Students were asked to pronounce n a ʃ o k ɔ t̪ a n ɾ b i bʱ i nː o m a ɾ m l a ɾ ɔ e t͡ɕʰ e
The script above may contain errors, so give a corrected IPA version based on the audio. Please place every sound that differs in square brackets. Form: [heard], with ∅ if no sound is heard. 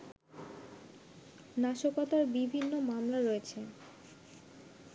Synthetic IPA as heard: n a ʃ o k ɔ t̪ a [∅] ɾ b i bʱ i nː o m a [∅] m l a ɾ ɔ e t͡ɕʰ e

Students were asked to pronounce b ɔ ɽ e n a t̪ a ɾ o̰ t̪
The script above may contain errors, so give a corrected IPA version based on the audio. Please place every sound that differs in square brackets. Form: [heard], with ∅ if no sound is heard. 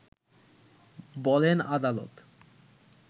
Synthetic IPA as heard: b ɔ [l] e n a [d̪] a [l] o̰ t̪

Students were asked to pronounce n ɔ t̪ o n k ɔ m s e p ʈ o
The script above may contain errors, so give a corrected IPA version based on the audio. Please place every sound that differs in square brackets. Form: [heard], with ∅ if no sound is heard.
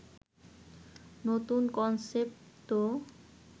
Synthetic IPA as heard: n [o] t̪ [u] n k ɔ [n] s e p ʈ o

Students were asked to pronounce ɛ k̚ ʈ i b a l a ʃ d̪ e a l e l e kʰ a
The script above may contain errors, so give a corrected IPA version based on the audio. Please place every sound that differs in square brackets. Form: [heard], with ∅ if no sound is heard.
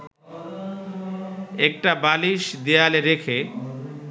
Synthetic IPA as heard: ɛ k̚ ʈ [a] b a l [i] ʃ d̪ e a l e [ɾ] e kʰ [e]

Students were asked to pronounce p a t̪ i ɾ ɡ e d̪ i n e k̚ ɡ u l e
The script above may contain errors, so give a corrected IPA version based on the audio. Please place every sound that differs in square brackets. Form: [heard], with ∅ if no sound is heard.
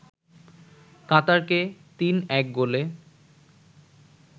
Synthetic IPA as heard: [k] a t̪ [a] ɾ [k] e [t̪] i n [ɛ] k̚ ɡ [o] l e

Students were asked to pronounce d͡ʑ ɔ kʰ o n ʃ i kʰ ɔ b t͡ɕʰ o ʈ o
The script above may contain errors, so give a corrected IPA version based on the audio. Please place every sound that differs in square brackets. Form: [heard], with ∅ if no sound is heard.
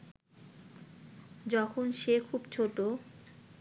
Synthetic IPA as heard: d͡ʑ ɔ kʰ o n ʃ [e] kʰ [u] b t͡ɕʰ o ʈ o

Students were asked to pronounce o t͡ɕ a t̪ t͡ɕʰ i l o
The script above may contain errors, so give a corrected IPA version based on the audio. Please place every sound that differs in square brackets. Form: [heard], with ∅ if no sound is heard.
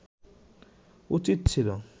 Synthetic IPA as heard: [u] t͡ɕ [i] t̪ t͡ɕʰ i l o

